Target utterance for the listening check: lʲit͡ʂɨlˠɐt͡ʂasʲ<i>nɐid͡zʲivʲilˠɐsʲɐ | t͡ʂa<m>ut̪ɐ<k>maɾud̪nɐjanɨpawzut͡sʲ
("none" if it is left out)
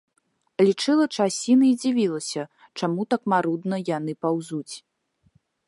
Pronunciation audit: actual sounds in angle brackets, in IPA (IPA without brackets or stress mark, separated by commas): i, m, k